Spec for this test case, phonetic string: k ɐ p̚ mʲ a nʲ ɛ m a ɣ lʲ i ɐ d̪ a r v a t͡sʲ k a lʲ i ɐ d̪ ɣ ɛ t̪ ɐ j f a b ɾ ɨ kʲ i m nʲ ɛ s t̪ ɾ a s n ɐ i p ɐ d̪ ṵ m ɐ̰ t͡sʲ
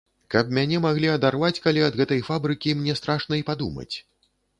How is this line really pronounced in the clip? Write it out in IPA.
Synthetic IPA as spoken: k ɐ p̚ mʲ a nʲ ɛ m a ɣ lʲ i ɐ d̪ a r v a t͡sʲ k a lʲ i ɐ d̪ ɣ ɛ t̪ ɐ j f a b ɾ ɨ kʲ i m nʲ ɛ s t̪ ɾ a ʂ n ɐ i p a d̪ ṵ m ɐ̰ t͡sʲ